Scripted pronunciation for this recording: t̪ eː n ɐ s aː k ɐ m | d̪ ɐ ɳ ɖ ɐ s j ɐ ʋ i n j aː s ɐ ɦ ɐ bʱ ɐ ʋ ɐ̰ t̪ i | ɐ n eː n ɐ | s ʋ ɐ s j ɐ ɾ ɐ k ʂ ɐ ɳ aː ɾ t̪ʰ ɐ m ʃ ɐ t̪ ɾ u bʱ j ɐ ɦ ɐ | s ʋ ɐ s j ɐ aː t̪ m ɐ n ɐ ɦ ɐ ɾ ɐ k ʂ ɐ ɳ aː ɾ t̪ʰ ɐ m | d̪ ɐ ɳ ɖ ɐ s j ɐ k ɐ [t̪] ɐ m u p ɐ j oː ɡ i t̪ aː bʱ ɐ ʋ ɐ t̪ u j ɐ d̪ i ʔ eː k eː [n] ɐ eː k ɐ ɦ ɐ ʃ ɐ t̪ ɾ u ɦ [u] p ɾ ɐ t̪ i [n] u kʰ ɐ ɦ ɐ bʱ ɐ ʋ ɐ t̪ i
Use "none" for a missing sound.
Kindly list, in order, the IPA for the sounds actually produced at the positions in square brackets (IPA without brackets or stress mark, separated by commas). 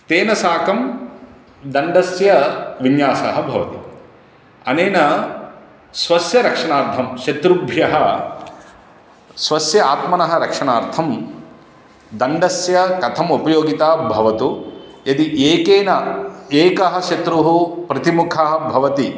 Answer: t̪ʰ, n, u, m